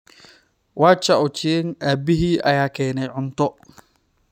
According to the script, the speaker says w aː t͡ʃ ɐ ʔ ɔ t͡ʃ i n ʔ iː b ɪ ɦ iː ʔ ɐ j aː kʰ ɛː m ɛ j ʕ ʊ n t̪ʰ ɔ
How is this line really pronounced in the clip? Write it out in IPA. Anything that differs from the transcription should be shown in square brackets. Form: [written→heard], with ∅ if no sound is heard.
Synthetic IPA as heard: w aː t͡ʃ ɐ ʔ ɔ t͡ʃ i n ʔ [iː→aː] b ɪ ɦ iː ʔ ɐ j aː kʰ ɛː [m→n] ɛ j ʕ ʊ n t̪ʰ ɔ